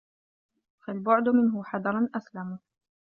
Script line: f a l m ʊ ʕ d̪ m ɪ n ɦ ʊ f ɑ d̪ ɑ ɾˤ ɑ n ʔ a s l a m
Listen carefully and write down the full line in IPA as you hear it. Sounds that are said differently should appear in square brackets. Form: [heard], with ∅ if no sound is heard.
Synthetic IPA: f a l [b] ʊ ʕ d̪ m ɪ n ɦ ʊ [ħ] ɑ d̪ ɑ ɾˤ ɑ n ʔ a s l a m